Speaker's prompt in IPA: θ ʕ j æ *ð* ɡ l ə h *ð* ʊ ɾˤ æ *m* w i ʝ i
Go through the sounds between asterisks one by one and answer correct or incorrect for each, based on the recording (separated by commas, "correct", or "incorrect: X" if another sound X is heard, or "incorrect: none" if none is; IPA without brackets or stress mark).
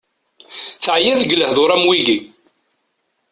correct, correct, correct